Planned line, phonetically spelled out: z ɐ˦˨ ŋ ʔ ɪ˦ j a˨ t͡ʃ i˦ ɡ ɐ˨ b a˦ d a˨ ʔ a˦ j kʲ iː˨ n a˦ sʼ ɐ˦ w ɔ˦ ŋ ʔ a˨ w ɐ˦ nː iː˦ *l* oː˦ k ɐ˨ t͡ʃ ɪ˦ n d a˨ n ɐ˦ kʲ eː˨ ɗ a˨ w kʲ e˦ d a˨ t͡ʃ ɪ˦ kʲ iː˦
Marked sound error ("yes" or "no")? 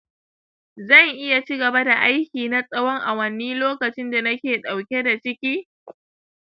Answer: no